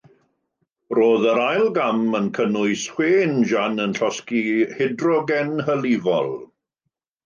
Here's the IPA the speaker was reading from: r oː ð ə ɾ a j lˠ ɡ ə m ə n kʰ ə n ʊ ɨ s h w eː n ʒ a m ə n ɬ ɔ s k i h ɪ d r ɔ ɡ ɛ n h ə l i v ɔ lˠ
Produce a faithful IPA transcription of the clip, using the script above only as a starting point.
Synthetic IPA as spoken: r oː ð ə ɾ a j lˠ ɡ a m ə n kʰ ə n ʊ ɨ s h w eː n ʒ a n ə n ɬ ɔ s k i h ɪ d r ɔ ɡ ɛ n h ə l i v ɔ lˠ